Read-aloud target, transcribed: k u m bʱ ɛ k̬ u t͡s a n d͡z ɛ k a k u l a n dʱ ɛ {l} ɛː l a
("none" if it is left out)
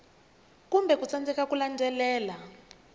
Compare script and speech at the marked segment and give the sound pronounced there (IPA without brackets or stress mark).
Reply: l